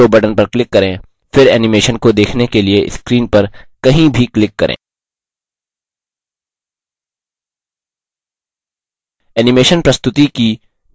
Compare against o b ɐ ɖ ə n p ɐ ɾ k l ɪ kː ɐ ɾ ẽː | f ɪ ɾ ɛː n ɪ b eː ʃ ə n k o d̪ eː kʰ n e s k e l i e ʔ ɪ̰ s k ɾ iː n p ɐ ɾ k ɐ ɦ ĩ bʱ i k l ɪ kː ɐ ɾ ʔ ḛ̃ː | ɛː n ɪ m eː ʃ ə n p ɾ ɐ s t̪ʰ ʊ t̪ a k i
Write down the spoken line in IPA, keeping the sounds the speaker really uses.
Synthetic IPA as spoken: o b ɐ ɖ ə n p ɐ ɾ k l ɪ kː ɐ ɾ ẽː | f ɪ ɾ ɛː n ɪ m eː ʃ ə n k o d̪ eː kʰ n e k e l i e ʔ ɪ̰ s k ɾ iː n p ɐ ɾ k ɐ ɦ ĩ bʱ i k l ɪ kː ɐ ɾ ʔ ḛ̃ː | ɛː n ɪ m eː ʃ ə n p ɾ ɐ s t̪ ʊ t̪ i k i